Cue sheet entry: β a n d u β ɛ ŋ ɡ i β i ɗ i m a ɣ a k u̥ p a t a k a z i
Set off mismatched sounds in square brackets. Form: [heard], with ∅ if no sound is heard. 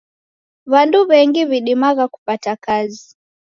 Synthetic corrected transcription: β a n d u β ɛ ŋ ɡ i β i ɗ i m a ɣ a k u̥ p a t a k a z i